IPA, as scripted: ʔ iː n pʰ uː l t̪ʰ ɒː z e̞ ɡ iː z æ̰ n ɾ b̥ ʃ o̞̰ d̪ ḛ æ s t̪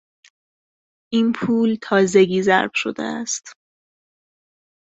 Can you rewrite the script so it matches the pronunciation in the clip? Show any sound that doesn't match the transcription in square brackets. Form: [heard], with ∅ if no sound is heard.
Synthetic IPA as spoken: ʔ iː n pʰ uː l t̪ʰ ɒː z e̞ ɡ iː z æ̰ [∅] ɾ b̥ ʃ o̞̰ d̪ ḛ æ s t̪